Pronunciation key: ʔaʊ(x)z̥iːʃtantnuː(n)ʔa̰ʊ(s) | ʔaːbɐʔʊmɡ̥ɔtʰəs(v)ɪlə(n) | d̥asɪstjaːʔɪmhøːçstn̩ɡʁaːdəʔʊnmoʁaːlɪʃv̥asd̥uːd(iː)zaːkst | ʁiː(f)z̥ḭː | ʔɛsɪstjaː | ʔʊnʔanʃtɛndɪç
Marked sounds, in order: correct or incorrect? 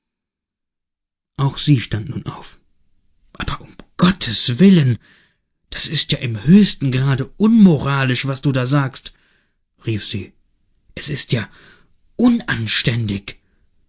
correct, correct, incorrect: f, correct, correct, incorrect: aː, correct

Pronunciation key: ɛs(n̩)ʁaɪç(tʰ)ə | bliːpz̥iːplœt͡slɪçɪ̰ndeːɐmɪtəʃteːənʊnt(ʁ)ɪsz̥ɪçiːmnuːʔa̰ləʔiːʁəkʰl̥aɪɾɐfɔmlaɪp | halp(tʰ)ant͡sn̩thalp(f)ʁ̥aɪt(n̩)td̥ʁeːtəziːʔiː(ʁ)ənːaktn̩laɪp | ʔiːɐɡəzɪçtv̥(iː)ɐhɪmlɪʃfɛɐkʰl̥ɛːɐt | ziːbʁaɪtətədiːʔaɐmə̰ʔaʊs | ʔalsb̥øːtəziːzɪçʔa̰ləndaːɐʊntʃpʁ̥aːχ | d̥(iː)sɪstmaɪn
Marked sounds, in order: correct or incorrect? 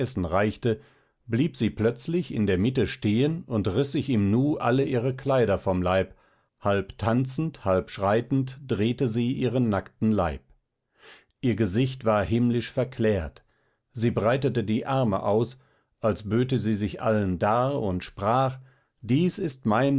correct, incorrect: t, correct, correct, incorrect: ʃ, correct, correct, incorrect: aː, correct

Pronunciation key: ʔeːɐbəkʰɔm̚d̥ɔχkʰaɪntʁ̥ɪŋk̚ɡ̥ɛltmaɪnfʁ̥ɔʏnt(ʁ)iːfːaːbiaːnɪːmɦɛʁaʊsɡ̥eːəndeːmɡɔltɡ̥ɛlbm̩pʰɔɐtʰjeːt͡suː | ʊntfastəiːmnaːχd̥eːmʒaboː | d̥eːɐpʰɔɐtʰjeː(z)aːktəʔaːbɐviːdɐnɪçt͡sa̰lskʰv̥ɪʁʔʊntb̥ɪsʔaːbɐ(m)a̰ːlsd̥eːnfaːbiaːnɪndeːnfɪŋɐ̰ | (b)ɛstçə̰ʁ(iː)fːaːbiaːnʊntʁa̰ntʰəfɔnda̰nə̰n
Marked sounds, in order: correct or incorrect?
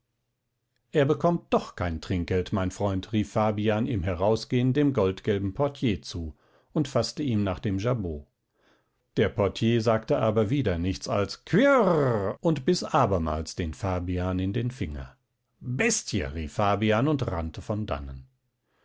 correct, correct, correct, correct, correct

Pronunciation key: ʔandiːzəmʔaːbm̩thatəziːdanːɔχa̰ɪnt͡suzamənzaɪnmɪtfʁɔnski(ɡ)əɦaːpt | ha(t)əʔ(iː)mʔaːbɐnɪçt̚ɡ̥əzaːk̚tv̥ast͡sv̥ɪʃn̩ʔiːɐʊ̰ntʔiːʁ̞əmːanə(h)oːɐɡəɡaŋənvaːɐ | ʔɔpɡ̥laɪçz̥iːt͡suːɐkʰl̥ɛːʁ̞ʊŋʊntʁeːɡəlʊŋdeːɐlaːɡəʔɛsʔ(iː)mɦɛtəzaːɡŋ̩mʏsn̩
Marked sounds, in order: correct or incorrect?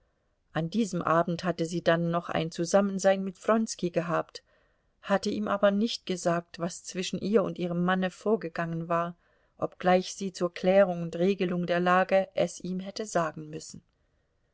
correct, correct, correct, incorrect: f, correct

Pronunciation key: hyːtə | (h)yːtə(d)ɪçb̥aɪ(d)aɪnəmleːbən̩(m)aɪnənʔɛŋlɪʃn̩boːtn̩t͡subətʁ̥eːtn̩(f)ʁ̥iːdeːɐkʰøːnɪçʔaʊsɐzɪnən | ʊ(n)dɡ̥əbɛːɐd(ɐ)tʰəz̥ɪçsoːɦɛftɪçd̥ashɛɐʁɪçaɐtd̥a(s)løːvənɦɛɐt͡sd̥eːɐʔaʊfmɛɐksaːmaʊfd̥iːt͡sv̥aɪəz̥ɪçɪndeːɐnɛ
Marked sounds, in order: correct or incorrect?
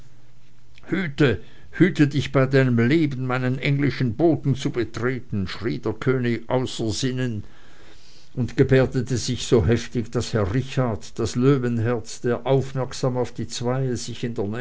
correct, correct, correct, correct, incorrect: ʃ, correct, incorrect: ə, correct

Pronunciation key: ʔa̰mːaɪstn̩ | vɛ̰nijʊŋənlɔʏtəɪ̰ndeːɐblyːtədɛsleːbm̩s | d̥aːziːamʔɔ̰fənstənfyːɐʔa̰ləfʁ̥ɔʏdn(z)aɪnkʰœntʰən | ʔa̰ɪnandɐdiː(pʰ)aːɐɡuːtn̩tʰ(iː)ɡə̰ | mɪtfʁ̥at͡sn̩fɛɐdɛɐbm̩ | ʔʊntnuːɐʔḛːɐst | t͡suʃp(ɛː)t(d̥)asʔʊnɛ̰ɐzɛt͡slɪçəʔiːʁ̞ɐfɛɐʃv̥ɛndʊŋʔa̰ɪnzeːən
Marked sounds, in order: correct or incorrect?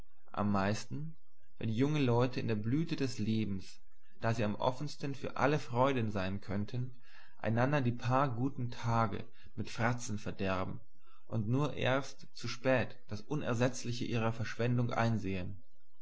correct, correct, incorrect: aː, correct, correct

